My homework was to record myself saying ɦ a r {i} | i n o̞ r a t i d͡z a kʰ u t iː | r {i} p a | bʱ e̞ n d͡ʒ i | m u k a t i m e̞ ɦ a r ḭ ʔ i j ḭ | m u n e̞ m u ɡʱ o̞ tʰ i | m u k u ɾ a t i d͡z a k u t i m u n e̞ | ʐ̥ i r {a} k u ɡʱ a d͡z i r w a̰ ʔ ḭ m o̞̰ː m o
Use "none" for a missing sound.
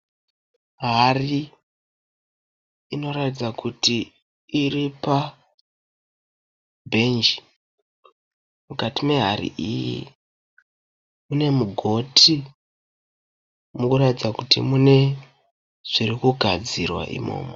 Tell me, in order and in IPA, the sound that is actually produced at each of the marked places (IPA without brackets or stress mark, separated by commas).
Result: i, i, i